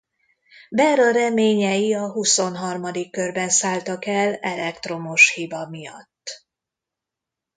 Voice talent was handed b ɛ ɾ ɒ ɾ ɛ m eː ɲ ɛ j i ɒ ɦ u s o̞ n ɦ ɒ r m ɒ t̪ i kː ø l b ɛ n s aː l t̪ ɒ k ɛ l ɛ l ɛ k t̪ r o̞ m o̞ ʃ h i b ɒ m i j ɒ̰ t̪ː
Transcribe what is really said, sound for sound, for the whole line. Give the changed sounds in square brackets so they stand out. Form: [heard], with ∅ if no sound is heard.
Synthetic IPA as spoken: b ɛ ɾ ɒ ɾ ɛ m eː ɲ ɛ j i ɒ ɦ u s o̞ n ɦ ɒ r m ɒ [d̪] i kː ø [r] b ɛ n s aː l t̪ ɒ k ɛ l ɛ l ɛ k t̪ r o̞ m o̞ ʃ h i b ɒ m i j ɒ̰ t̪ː